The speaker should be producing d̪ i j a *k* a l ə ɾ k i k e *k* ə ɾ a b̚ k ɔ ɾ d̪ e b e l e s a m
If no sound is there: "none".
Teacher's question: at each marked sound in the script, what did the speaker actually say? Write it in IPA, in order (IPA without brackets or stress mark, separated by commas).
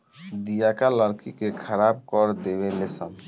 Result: k, kʰ